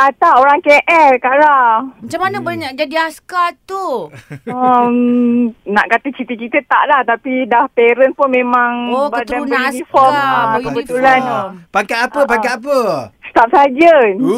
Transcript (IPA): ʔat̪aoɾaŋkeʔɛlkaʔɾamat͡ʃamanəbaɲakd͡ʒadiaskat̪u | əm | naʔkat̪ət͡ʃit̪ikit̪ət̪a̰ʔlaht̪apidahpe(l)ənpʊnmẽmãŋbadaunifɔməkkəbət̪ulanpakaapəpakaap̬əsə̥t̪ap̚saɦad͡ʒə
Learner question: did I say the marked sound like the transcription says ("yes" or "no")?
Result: no